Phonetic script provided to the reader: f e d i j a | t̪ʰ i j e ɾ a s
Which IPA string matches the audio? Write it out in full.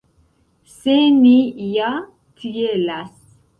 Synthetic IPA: s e n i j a | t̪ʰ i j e l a s

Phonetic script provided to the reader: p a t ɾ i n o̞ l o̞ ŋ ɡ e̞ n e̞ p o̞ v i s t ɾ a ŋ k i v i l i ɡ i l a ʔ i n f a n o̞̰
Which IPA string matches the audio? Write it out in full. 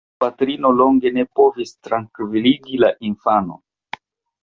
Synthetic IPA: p a t ɾ i n o̞ l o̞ ŋ ɡ e̞ n e̞ p o̞ v i s t ɾ a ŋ k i v i l i ɡ i l a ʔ i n f a n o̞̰

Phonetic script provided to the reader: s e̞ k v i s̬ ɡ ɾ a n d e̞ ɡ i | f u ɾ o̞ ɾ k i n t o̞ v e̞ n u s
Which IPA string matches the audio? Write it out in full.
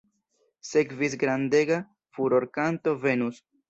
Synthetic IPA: s e̞ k v i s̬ ɡ ɾ a n d e̞ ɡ a | f u ɾ o̞ ɾ k a n t o̞ v e̞ n u s

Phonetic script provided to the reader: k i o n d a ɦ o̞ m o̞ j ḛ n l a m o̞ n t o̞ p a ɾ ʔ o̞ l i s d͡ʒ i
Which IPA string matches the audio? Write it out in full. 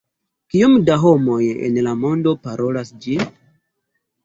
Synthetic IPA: k i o m d a ɦ o̞ m o̞ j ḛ n l a m o̞ n d o̞ p a ɾ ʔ o̞ l a s d͡ʒ i

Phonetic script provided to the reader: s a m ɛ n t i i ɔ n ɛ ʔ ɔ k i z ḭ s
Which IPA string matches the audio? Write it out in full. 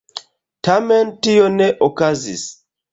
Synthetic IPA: t a m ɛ n t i j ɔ n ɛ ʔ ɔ k a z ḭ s

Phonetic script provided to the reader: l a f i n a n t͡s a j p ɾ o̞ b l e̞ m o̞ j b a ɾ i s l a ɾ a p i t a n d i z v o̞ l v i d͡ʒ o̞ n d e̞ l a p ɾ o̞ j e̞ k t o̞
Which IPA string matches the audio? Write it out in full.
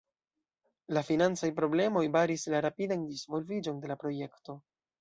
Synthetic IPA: l a f i n a n t͡s a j p ɾ o̞ b l e̞ m o̞ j b a ɾ i s l a ɾ a p i d a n d i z v o̞ l v i d͡ʒ o̞ n d e̞ l a p ɾ o̞ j e̞ k t o̞

